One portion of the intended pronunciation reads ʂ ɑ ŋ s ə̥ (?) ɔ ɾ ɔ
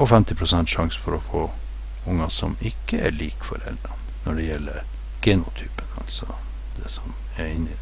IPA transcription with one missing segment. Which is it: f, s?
f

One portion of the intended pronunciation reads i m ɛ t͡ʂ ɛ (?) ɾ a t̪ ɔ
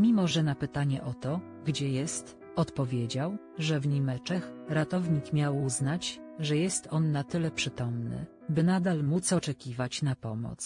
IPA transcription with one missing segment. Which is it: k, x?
x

